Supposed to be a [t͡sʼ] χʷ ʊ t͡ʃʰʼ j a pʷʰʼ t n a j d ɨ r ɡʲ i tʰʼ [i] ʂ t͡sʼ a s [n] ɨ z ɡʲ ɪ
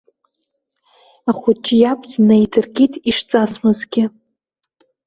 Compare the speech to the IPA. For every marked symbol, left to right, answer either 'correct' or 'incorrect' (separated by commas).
incorrect, correct, incorrect